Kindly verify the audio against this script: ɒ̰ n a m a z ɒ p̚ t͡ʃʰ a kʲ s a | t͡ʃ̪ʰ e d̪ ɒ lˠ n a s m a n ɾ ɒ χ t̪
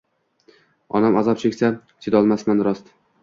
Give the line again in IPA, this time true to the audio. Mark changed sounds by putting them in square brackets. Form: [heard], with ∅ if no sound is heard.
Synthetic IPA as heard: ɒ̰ n a m a z ɒ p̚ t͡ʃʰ [e] kʲ s a | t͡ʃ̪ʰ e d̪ ɒ lˠ [m] a s m a n ɾ ɒ [s] t̪